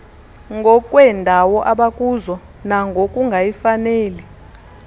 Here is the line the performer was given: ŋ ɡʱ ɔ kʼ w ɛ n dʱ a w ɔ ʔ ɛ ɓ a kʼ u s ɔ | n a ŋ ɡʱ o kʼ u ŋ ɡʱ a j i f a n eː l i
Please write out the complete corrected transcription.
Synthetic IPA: ŋ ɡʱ ɔ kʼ w ɛ n dʱ a w ɔ ʔ a ɓ a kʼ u z ɔ | n a ŋ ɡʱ o kʼ u ŋ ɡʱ a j i f a n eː l i